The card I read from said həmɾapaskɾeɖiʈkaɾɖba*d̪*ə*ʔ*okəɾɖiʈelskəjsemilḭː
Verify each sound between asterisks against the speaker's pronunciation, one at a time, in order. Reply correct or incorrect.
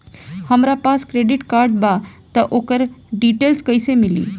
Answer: incorrect, correct

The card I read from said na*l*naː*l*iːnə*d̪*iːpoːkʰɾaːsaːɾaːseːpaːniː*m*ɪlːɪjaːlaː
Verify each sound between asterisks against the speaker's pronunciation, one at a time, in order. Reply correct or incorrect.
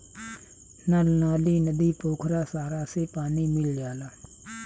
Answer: correct, correct, correct, correct

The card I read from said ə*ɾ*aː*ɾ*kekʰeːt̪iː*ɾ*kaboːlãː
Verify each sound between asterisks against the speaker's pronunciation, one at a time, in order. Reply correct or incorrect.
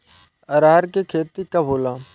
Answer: correct, correct, incorrect

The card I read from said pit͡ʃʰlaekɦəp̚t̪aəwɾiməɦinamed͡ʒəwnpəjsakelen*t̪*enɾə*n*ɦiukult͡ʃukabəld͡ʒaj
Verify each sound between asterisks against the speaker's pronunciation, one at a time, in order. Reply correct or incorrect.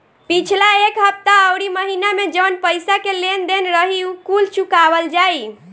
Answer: incorrect, incorrect

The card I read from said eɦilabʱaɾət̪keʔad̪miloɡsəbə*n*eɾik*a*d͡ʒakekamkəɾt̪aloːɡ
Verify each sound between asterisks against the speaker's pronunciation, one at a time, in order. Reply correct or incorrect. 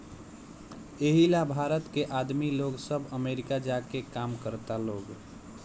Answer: incorrect, correct

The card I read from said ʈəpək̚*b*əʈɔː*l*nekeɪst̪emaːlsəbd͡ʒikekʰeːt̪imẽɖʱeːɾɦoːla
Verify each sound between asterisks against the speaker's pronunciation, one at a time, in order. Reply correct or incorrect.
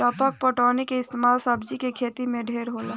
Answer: incorrect, incorrect

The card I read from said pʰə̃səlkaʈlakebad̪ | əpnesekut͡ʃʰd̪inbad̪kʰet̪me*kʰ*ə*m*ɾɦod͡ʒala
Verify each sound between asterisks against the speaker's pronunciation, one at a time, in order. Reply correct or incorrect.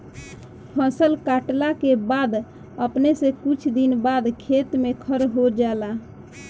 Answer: correct, incorrect

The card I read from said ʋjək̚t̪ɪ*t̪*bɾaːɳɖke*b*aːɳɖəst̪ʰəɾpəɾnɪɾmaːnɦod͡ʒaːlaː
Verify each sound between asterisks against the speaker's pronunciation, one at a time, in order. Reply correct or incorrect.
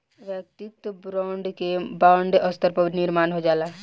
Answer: correct, correct

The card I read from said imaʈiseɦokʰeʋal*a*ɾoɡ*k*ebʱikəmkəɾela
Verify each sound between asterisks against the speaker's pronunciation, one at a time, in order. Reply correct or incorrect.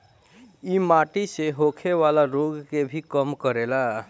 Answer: correct, correct

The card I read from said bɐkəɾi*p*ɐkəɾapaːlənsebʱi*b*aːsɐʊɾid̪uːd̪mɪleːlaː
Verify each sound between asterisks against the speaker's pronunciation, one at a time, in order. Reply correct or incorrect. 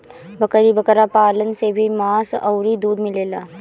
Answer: incorrect, incorrect

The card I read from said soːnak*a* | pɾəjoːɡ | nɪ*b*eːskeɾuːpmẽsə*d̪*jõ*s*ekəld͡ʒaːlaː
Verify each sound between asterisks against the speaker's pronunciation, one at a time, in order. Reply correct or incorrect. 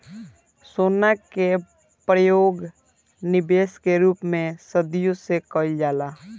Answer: incorrect, correct, correct, correct

